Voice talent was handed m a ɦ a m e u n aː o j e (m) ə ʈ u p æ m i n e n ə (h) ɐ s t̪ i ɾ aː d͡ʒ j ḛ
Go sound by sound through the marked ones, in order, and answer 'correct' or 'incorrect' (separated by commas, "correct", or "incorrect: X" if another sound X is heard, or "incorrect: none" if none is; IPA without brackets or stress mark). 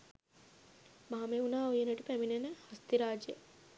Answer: incorrect: n, correct